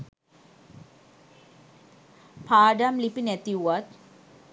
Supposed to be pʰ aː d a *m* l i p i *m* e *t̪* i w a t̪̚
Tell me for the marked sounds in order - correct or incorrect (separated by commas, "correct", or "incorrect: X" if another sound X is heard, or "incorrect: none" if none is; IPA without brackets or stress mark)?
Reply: correct, incorrect: n, correct